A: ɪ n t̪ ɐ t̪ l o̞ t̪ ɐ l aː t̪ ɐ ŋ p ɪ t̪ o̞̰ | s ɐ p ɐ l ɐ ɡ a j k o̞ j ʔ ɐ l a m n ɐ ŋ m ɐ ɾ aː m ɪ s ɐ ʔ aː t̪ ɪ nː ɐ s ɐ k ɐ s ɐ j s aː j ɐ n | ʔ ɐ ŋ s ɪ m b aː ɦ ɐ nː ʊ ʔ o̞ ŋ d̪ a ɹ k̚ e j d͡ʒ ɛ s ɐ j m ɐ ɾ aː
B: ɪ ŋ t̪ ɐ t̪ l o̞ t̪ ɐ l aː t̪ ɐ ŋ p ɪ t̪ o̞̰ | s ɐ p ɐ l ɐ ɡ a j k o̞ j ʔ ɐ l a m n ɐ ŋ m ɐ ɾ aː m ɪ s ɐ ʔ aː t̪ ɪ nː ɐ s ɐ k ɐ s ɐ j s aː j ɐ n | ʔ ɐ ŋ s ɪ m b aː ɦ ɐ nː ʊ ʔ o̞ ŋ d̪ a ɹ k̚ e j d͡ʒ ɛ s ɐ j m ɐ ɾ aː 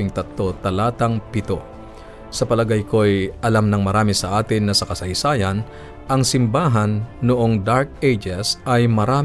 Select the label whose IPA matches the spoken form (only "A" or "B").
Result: B